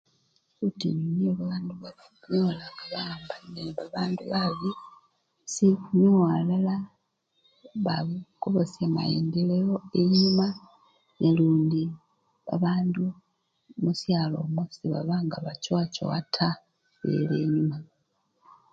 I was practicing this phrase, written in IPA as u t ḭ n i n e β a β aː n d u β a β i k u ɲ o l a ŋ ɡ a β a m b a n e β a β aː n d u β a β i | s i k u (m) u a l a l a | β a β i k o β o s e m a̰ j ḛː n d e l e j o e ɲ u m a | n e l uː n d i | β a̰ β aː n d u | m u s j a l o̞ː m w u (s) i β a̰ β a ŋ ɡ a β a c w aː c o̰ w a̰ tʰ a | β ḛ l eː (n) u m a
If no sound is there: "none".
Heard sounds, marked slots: ɲ, s, ɲ

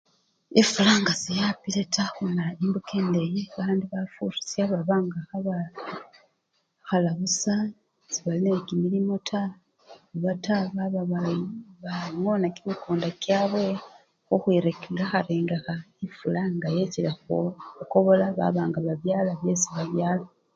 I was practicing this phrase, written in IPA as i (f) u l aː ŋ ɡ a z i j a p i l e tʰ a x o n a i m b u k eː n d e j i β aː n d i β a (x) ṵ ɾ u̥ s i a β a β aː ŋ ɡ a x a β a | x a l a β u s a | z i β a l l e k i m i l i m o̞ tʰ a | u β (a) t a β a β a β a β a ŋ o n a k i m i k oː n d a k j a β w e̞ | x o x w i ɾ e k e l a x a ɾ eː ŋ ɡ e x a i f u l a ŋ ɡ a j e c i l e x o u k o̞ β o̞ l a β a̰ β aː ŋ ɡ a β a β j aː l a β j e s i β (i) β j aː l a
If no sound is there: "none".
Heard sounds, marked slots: f, f, a, a

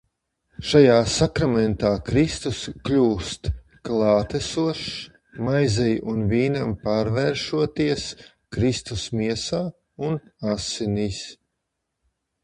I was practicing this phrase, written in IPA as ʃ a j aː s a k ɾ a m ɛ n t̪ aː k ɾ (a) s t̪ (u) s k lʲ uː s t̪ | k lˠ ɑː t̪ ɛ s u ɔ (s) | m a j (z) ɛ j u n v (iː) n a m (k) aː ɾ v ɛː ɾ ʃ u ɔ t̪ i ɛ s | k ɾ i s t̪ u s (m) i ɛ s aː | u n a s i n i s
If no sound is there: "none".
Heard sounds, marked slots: i, u, ʃ, z, iː, p, m

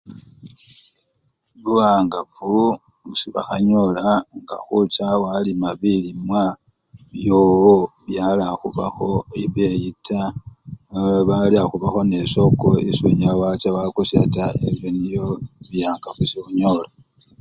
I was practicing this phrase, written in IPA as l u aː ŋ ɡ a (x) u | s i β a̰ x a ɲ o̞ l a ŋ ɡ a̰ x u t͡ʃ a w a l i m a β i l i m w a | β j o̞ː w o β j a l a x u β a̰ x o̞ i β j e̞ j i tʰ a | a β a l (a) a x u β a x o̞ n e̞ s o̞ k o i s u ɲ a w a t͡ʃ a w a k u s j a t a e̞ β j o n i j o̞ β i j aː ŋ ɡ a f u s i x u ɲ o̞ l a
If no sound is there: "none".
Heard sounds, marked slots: f, i

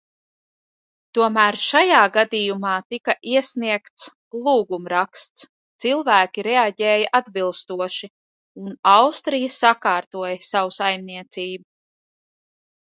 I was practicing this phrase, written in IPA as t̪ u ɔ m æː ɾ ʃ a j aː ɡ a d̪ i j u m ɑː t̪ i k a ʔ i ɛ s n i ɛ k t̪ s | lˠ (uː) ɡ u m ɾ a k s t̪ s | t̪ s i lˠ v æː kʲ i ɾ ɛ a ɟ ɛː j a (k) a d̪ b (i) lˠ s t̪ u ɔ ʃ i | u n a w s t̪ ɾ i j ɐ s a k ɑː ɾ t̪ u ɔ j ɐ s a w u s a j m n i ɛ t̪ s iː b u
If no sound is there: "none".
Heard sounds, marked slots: uː, ʔ, i

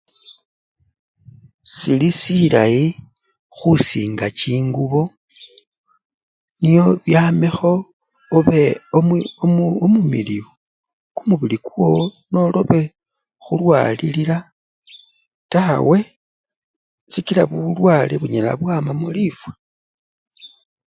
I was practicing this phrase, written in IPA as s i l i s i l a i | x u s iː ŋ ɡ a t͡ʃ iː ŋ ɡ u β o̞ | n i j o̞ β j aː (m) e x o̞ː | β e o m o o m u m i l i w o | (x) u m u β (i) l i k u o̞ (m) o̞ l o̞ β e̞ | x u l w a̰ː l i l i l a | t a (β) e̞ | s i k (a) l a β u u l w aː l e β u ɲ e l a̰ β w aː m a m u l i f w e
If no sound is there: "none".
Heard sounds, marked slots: m, k, i, n, w, i

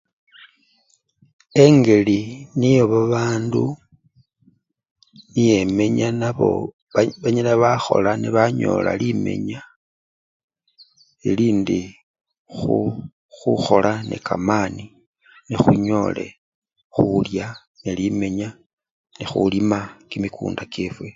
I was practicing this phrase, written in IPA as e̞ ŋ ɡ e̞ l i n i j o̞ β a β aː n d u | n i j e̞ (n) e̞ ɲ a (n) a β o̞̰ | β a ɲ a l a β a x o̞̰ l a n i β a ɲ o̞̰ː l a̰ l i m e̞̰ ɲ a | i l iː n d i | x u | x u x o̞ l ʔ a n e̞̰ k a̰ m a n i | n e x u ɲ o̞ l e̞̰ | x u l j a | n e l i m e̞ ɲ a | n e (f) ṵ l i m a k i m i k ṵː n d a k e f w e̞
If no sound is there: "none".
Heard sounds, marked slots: m, n, x

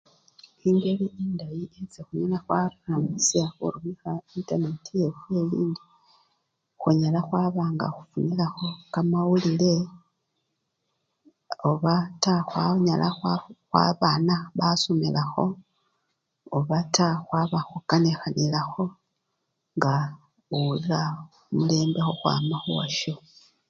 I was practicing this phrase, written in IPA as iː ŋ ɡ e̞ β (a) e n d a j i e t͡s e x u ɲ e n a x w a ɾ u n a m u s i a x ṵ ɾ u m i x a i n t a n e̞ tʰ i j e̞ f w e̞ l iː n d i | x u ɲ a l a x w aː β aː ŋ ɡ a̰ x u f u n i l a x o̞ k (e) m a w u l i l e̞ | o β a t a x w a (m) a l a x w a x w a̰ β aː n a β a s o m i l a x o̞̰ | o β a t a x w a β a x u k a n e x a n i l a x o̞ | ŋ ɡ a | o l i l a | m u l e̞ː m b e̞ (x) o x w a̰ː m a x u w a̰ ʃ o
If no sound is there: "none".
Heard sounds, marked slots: i, a, ɲ, x

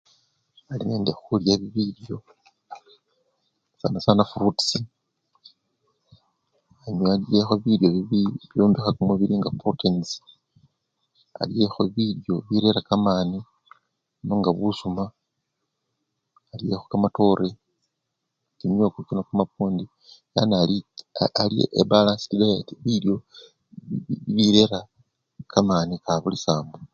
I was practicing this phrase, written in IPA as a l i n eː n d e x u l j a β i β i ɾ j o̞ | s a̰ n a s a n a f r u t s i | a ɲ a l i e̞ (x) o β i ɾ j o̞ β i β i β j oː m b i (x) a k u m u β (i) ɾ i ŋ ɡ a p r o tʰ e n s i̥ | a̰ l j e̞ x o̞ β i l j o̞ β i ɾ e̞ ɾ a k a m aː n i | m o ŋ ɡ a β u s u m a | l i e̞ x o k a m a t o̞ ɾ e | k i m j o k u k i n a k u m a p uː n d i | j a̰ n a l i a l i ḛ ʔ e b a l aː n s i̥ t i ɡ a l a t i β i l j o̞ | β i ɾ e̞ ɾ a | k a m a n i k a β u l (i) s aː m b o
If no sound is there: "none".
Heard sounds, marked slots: x, x, i, i

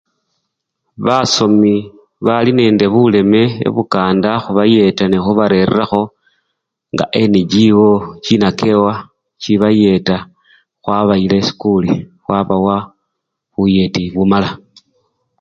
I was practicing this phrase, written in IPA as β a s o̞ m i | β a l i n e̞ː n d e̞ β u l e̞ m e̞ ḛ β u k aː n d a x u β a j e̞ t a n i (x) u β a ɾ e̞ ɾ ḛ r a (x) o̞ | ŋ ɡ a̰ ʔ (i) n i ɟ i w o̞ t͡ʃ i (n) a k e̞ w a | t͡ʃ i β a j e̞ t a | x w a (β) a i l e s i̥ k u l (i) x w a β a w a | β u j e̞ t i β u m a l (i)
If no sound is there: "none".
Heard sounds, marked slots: x, x, e, n, β, i, a

